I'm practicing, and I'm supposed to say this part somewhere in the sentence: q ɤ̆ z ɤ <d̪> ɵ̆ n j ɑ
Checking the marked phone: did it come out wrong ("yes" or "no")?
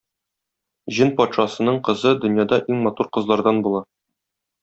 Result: no